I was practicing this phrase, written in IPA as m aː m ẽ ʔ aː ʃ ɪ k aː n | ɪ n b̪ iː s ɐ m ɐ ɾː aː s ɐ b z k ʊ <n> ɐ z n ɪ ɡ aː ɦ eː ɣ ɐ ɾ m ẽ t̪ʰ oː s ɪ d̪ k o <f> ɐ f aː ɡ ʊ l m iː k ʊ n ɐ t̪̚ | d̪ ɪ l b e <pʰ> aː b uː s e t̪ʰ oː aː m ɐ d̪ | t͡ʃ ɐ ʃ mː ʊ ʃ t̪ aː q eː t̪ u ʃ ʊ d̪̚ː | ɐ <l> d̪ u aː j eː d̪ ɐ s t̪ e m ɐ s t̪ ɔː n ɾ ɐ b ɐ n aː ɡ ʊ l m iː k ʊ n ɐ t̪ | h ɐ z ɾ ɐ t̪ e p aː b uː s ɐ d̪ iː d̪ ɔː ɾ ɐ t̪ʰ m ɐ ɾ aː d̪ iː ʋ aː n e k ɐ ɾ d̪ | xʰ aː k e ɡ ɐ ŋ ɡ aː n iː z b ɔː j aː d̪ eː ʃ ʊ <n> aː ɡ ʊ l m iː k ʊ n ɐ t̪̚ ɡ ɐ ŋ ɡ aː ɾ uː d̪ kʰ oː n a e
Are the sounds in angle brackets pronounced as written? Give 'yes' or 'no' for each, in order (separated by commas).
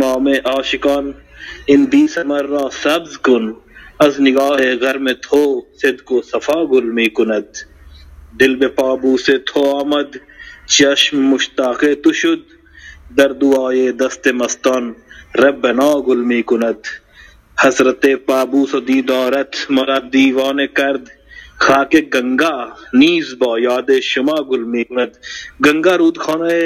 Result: yes, no, no, no, no